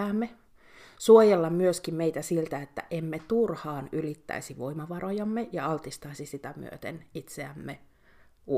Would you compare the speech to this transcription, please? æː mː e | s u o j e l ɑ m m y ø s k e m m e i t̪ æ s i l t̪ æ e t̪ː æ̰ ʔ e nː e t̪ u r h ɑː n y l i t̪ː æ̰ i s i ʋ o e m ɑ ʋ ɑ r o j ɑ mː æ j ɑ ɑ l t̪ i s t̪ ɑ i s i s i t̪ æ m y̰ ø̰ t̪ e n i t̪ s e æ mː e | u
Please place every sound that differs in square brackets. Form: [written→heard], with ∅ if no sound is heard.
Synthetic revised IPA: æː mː e | s u o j e [l→lː] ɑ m m y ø s k [e→i] m m e i t̪ æ s i l t̪ æ e t̪ː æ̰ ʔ e [nː→mː] e t̪ u r h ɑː n y l i t̪ː æ̰ i s i ʋ o [e→i] m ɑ ʋ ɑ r o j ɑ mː [æ→e] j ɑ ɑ l t̪ i s t̪ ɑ i s i s i t̪ æ m y̰ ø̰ t̪ e n i t̪ s e æ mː e | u